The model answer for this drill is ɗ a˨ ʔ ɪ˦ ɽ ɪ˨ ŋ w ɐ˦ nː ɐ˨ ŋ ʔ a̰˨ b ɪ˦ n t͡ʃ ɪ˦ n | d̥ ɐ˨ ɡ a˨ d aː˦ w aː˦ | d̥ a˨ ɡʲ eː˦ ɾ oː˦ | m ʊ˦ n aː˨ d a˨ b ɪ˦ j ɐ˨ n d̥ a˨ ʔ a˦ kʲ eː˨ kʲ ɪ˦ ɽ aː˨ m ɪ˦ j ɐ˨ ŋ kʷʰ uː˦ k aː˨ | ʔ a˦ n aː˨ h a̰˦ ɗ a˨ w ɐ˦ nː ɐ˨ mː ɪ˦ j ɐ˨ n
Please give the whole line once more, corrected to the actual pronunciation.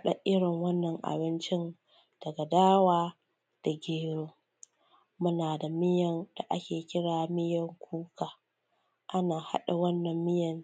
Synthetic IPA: ɗ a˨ ʔ ɪ˦ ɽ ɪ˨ ŋ w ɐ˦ nː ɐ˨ ŋ ʔ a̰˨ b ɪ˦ n t͡ʃ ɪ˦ n | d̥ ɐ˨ ɡ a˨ d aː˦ w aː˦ | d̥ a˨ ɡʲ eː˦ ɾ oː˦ | m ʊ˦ n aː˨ d a˨ m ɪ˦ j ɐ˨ n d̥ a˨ ʔ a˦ kʲ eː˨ kʲ ɪ˦ ɽ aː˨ m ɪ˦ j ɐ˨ ŋ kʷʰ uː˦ k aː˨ | ʔ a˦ n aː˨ h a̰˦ ɗ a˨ w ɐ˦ nː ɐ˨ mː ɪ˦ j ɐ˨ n